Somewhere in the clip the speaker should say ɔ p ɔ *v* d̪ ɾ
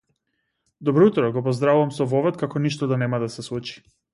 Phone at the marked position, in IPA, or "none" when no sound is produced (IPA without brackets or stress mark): z